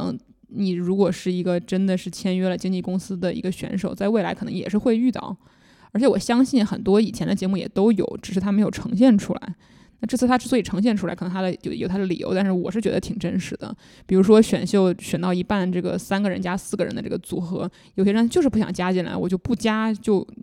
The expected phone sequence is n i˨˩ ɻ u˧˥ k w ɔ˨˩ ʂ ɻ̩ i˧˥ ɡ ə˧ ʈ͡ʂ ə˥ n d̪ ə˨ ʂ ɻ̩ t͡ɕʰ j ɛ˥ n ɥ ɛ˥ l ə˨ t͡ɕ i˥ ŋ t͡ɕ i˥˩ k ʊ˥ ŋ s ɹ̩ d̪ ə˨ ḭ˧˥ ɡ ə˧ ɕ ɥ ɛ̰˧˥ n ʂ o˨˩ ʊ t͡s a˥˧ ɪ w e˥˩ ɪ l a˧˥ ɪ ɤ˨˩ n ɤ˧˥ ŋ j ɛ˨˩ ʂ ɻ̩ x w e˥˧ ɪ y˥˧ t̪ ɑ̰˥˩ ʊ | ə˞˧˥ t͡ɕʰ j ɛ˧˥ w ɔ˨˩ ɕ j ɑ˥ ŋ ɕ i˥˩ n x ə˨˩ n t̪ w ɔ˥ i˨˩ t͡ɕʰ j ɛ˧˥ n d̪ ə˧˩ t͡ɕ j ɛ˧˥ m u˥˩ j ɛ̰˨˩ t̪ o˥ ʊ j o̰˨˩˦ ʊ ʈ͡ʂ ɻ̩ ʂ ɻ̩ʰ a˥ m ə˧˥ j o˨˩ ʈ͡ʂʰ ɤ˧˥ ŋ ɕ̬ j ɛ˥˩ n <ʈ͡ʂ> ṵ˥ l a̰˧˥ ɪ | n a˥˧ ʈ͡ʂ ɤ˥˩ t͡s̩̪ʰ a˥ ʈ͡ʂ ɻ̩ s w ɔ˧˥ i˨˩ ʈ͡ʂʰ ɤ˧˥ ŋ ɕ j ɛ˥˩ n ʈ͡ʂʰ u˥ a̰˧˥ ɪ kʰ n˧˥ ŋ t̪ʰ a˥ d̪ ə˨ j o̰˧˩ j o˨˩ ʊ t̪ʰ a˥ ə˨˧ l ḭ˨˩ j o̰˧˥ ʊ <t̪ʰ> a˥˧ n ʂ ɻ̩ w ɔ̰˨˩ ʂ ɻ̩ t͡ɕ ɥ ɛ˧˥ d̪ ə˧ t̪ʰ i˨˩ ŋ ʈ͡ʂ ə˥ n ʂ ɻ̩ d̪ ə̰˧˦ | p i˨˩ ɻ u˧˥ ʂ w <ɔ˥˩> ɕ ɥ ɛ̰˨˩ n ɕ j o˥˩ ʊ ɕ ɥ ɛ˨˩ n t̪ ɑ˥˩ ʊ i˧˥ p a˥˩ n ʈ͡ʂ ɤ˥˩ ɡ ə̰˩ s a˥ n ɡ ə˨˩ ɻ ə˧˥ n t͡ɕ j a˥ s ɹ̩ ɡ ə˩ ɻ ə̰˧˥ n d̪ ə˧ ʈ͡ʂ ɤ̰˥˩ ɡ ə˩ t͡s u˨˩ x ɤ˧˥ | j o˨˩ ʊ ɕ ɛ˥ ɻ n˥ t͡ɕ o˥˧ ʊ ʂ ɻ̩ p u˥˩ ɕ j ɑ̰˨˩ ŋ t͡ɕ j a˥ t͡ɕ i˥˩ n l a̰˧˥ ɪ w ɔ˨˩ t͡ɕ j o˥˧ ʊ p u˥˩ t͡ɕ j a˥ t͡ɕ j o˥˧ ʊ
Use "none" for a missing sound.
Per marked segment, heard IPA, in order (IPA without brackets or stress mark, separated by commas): ʈ͡ʂʰ, t̪, ɔ˥